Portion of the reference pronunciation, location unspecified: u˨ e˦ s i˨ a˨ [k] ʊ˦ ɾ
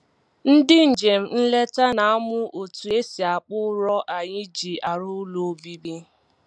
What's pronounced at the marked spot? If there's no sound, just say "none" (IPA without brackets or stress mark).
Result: k͡p